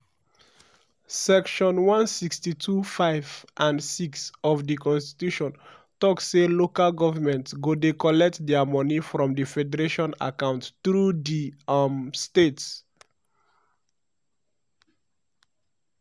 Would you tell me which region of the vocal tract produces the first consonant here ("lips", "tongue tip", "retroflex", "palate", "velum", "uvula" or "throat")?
tongue tip